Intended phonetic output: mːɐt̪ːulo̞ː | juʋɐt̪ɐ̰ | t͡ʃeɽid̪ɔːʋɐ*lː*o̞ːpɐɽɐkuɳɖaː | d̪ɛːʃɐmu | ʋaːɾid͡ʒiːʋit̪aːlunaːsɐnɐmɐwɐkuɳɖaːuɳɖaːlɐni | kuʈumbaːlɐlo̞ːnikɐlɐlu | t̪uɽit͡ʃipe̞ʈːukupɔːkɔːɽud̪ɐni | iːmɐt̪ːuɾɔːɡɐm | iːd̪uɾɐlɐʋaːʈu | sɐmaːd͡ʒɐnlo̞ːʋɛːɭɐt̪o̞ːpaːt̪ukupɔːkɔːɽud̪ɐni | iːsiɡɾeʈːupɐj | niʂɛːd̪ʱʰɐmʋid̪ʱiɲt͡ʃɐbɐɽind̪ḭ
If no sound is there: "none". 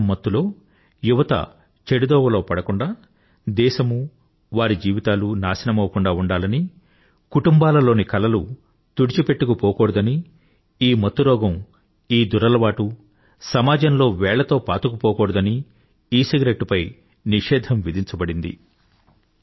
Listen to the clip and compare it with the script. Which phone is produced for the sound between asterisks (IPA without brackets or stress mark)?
l